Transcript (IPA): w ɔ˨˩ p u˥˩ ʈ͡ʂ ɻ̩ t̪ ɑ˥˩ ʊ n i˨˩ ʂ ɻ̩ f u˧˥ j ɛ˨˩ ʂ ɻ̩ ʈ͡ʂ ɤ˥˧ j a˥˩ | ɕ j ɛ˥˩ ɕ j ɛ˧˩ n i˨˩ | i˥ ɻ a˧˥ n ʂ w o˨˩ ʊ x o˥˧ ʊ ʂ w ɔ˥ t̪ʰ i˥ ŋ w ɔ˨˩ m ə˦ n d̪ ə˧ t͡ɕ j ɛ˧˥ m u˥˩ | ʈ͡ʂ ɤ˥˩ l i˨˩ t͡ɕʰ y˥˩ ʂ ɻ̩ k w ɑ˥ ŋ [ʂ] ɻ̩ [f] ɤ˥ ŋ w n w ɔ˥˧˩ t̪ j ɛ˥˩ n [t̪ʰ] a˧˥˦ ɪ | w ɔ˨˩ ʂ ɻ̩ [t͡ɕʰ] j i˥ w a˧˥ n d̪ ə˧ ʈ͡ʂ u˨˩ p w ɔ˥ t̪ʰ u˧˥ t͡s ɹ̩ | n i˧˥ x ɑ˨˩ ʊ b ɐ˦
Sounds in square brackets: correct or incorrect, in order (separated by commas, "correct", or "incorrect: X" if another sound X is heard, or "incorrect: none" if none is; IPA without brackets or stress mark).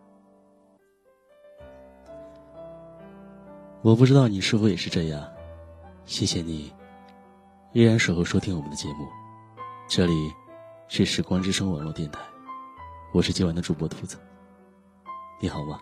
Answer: incorrect: ʈ͡ʂ, incorrect: ʂ, correct, incorrect: t͡ɕ